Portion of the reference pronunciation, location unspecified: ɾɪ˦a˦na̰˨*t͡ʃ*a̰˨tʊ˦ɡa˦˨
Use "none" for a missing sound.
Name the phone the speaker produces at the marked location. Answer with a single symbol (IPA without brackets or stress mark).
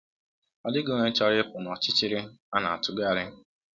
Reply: none